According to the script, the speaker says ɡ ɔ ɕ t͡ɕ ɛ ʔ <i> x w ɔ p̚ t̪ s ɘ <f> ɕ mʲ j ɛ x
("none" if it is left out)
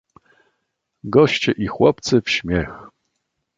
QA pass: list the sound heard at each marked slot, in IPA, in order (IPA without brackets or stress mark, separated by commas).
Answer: i, f